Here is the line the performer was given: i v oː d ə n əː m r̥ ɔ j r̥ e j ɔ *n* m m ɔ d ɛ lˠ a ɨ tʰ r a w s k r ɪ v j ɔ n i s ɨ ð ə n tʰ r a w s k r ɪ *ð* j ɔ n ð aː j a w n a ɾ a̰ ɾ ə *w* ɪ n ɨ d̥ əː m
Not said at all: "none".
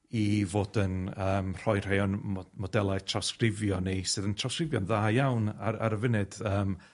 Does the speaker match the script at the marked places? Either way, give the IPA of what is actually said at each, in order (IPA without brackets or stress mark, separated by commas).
n, v, v